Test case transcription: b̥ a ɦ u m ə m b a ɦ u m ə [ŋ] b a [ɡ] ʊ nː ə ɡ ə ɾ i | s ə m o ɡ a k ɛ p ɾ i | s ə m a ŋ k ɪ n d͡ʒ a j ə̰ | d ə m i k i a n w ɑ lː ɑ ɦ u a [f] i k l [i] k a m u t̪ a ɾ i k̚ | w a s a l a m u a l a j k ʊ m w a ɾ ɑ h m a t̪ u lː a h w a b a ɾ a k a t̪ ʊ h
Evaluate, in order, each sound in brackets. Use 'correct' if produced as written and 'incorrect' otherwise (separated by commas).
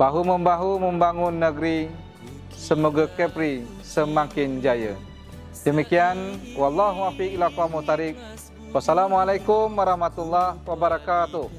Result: incorrect, incorrect, correct, incorrect